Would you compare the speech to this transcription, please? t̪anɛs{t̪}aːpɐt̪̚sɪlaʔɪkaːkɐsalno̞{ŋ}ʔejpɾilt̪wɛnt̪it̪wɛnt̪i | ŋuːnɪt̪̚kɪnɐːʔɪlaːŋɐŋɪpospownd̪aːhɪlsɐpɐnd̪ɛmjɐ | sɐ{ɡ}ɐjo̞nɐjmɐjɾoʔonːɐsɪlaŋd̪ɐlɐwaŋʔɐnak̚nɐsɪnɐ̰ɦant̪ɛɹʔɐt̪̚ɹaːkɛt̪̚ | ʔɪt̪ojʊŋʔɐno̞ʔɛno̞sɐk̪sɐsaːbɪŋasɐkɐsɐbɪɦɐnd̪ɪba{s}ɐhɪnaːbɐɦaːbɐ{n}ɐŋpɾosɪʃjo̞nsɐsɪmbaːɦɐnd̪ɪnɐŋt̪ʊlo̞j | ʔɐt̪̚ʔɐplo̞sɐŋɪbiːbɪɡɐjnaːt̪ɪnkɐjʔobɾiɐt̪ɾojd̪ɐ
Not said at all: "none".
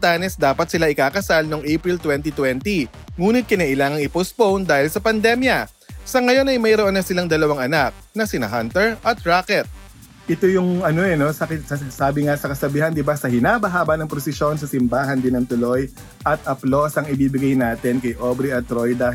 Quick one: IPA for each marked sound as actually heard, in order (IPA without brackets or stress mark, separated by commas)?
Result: d̪, ŋ, ŋ, s, n